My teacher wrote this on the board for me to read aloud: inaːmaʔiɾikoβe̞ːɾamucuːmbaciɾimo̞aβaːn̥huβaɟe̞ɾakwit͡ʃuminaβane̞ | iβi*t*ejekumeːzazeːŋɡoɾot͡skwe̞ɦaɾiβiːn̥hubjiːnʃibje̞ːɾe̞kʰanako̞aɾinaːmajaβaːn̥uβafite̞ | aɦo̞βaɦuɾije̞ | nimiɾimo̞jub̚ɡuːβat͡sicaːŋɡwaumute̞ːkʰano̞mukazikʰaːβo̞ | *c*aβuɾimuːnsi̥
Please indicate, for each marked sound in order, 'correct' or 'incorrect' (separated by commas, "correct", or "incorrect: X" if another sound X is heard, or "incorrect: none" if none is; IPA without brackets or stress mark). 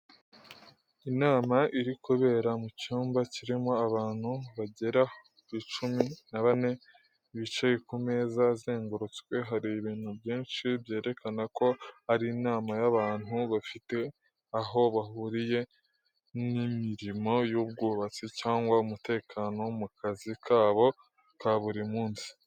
incorrect: t͡ʃ, incorrect: k